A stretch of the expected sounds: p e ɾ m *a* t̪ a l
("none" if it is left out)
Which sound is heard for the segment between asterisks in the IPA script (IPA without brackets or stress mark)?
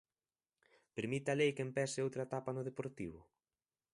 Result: i